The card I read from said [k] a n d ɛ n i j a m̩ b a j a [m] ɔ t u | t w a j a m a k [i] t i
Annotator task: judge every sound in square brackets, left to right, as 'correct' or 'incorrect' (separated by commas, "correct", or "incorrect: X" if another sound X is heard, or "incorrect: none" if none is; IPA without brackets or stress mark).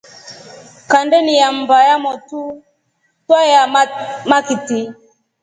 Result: correct, correct, correct